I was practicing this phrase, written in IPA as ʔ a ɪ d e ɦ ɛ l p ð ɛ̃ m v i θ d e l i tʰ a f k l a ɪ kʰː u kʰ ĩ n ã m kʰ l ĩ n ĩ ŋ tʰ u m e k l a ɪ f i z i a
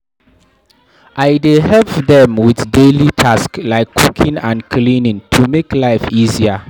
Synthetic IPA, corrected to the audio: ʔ a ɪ d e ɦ ɛ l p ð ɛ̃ m w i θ d e l i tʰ a s k l a ɪ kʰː u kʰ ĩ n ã n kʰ l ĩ n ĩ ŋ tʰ u m e k l a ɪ f i z i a